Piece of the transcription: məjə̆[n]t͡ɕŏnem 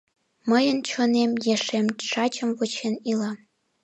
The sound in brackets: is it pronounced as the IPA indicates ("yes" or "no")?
yes